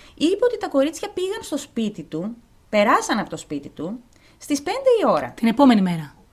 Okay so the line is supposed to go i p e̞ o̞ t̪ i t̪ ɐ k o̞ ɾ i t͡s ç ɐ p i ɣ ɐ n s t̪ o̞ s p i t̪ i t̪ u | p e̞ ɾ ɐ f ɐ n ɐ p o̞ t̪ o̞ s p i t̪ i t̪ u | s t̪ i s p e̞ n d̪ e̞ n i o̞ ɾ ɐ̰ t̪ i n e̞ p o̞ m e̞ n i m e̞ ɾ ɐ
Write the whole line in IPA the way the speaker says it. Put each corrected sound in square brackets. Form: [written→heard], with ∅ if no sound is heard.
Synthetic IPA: i p e̞ o̞ t̪ i t̪ ɐ k o̞ ɾ i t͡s ç ɐ p i ɣ ɐ n s t̪ o̞ s p i t̪ i t̪ u | p e̞ ɾ ɐ [f→s] ɐ n ɐ p o̞ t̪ o̞ s p i t̪ i t̪ u | s t̪ i s p e̞ n d̪ e̞ [n→∅] i o̞ ɾ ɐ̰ t̪ i n e̞ p o̞ m e̞ n i m e̞ ɾ ɐ